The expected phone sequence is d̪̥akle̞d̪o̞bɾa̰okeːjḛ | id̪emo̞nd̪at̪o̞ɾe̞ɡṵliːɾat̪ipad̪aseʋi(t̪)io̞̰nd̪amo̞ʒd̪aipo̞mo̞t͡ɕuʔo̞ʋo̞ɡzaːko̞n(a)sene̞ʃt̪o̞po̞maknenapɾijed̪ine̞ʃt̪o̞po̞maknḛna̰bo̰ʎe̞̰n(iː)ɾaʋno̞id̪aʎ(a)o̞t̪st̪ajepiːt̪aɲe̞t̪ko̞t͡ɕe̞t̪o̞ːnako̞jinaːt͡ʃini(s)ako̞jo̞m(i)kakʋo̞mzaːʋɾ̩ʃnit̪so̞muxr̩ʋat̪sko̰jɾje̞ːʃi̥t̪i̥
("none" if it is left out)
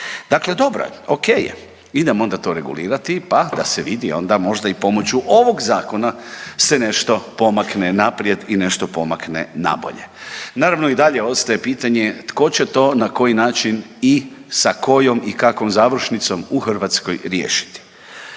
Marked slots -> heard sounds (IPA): d̪, a, aː, e, s, i

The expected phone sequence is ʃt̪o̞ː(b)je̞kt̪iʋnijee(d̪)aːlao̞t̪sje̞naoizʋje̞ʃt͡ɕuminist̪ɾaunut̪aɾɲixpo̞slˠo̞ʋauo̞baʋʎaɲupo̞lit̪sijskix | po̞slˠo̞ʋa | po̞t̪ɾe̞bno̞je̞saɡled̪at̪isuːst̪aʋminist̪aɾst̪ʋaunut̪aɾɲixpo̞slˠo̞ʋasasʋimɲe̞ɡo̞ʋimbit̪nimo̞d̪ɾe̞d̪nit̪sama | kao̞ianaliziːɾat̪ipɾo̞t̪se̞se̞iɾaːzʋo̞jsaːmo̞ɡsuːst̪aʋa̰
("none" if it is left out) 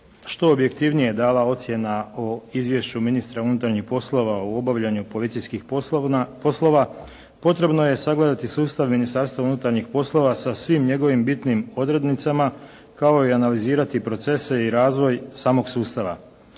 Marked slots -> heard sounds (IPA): b, d̪

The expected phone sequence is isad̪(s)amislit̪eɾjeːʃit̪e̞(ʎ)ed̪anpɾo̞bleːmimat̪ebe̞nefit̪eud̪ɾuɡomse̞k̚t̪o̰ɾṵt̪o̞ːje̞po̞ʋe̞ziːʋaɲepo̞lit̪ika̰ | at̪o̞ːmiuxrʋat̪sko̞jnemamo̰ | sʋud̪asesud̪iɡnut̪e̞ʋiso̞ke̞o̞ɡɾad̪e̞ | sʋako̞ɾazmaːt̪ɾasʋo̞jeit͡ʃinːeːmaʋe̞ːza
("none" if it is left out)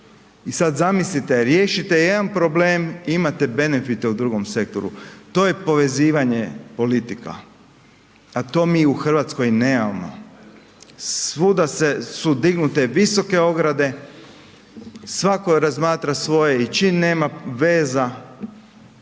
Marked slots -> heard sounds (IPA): z, j

